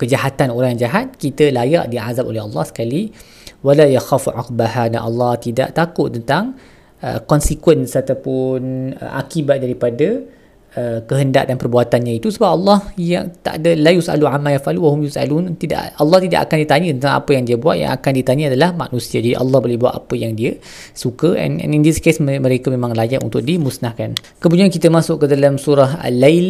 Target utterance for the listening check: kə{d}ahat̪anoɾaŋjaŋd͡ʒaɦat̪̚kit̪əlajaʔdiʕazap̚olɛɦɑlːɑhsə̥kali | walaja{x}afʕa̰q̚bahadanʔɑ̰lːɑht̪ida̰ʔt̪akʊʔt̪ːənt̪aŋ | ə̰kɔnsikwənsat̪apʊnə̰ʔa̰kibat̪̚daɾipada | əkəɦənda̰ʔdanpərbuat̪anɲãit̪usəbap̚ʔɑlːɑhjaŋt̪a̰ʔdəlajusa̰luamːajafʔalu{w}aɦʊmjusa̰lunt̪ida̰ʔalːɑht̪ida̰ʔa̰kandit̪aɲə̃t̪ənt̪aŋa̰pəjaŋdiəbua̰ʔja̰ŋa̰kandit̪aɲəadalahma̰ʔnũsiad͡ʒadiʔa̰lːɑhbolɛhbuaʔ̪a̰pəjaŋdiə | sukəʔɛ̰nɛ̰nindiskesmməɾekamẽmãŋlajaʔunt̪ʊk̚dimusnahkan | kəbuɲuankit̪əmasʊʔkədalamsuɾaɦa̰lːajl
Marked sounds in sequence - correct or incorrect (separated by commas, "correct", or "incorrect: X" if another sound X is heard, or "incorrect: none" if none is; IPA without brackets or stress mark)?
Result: incorrect: d͡ʒ, correct, correct